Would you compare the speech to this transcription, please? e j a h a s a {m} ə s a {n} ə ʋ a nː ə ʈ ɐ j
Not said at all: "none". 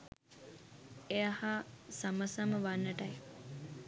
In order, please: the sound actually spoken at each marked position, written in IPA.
m, m

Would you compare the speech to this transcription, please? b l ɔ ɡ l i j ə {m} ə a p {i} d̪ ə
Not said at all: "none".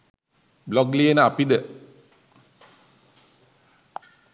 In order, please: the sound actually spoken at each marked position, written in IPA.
n, i

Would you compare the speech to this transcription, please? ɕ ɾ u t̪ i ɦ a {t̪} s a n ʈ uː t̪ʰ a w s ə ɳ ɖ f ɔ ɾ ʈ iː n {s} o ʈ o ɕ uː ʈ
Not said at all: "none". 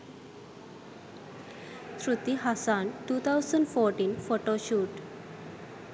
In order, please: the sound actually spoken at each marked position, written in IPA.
none, f

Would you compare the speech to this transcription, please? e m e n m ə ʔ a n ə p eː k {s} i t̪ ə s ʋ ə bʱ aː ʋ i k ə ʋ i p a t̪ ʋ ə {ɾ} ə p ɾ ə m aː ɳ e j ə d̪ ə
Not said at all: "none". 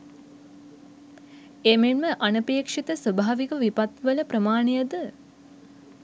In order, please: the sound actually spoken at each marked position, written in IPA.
ʂ, l

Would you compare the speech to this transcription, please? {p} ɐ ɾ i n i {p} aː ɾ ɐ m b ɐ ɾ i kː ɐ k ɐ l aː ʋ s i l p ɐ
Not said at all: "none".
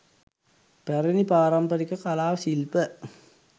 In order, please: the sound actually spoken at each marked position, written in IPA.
p, p

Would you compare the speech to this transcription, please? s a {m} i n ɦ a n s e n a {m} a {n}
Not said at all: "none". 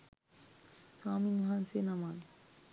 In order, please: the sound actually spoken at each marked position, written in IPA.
m, m, n

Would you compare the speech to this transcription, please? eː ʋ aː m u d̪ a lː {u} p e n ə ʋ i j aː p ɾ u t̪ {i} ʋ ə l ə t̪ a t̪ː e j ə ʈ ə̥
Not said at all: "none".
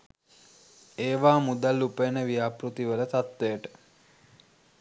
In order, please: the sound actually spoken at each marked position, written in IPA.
u, i

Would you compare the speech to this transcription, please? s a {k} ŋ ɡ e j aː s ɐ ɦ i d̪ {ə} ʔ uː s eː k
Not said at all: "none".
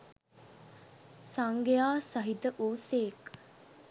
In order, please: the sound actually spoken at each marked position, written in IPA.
none, ə

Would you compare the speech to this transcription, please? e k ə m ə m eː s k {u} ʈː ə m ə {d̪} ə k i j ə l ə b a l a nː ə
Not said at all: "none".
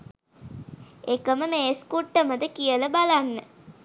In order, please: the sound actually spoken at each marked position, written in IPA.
u, d̪

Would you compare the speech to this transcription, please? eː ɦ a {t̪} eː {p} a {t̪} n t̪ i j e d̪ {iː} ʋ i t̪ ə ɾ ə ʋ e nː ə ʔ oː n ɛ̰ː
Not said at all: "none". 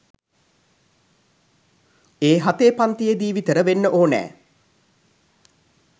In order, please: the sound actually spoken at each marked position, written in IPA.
t̪, p, none, iː

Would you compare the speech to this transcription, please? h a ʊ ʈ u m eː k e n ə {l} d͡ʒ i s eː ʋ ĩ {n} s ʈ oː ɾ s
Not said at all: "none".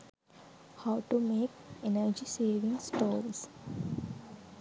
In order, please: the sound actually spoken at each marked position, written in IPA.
ɾ, ŋ

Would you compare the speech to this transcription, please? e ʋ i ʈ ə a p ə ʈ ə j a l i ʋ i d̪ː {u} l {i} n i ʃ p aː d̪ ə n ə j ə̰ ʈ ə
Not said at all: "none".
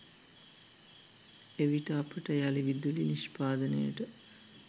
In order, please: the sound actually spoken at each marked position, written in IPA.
u, i

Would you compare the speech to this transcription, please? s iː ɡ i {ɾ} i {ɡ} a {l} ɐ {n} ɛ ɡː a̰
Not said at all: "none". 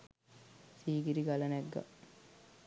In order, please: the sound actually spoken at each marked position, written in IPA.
ɾ, ɡ, l, n

